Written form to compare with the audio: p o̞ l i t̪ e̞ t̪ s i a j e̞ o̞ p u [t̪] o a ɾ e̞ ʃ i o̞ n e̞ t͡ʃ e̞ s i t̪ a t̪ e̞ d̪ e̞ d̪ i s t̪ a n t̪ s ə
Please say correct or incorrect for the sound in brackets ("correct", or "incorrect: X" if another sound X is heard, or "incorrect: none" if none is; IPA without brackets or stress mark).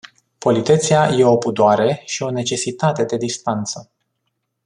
incorrect: d̪